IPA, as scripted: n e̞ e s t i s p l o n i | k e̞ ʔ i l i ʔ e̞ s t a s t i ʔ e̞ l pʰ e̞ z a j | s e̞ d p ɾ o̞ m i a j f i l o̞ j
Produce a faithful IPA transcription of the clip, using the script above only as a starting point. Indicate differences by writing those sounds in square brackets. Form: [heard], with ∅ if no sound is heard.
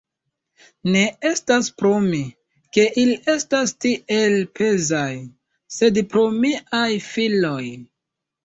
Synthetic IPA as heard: n e̞ e s t [a] s p [ɾ] o [m] i | k e̞ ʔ i l i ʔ e̞ s t a s t i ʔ e̞ l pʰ e̞ z a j | s e̞ d p ɾ o̞ m i a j f i l o̞ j